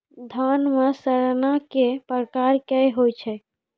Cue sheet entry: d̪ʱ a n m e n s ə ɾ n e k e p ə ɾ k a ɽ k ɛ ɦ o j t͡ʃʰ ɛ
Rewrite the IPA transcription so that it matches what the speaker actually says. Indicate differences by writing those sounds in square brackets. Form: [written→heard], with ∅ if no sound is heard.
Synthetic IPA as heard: d̪ʱ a n m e [n→∅] s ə ɾ n [e→a] k e p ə ɾ k a [ɽ→ɾ] k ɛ ɦ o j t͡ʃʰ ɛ